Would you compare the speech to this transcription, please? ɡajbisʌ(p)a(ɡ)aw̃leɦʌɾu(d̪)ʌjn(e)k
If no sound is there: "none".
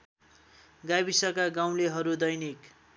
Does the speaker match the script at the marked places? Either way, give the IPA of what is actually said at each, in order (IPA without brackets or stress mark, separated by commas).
k, ɡ, d̪, i